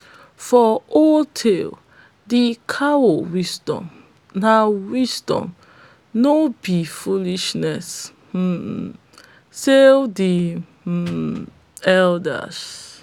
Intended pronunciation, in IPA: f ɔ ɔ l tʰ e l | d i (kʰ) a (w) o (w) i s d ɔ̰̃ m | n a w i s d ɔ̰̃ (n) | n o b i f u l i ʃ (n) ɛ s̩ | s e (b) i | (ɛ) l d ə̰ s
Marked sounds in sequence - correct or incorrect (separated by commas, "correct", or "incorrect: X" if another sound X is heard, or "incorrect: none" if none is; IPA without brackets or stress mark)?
correct, correct, correct, incorrect: m, correct, incorrect: d, correct